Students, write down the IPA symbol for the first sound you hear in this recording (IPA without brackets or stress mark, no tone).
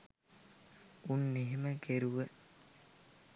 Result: u